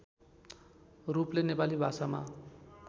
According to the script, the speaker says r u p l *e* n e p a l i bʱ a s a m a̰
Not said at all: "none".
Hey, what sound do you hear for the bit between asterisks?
e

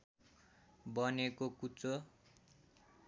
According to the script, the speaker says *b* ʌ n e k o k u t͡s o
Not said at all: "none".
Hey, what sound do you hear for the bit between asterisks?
b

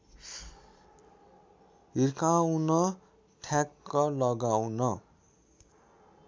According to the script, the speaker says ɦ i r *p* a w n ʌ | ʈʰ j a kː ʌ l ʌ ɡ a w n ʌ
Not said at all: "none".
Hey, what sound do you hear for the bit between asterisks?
k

